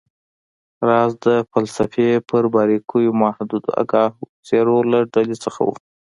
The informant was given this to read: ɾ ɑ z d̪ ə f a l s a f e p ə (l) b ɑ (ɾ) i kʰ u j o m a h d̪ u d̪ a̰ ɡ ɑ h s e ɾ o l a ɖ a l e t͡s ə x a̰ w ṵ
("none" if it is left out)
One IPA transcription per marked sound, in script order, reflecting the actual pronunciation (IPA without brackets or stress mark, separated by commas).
ɾ, ɾ